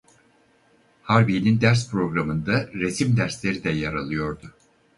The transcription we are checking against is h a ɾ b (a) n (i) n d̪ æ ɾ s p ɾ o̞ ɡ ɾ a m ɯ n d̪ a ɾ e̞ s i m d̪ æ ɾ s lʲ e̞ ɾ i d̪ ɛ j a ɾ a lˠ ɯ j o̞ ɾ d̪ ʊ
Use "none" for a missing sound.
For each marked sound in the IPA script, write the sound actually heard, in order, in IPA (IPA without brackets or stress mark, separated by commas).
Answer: i, i